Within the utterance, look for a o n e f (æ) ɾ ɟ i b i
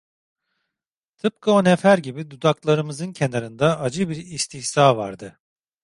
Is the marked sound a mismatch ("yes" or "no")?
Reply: no